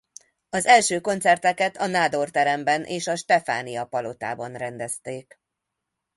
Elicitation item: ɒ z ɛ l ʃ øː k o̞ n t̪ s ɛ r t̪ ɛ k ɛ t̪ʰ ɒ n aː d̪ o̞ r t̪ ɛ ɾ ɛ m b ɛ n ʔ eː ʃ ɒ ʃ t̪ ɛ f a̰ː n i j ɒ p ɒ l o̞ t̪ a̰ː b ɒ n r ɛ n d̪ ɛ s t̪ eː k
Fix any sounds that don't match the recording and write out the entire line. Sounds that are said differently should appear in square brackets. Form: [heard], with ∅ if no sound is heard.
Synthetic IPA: ɒ z ɛ l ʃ øː k o̞ n t̪ s ɛ r t̪ ɛ k ɛ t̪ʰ ɒ n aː d̪ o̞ r t̪ ɛ ɾ ɛ m b ɛ n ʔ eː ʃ ɒ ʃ t̪ ɛ f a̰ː n i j ɒ p ɒ l o̞ t̪ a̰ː b ɒ n r ɛ n d̪ ɛ s t̪ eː k